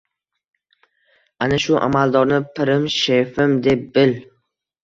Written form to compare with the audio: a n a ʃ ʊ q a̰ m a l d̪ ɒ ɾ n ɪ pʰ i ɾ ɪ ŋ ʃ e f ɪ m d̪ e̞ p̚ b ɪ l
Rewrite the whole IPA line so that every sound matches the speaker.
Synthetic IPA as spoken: a n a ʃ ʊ ʔ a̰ m a l d̪ ɒ ɾ n ɪ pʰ ɪ ɾ ɪ m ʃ e f ɪ m d̪ e̞ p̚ b ɪ l